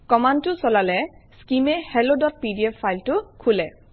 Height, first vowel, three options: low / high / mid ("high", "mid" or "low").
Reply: mid